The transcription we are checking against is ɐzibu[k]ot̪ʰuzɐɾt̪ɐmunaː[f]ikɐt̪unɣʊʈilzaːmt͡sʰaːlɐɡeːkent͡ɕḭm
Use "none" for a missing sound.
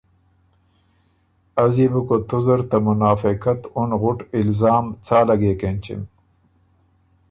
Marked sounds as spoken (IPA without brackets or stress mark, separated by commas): k, f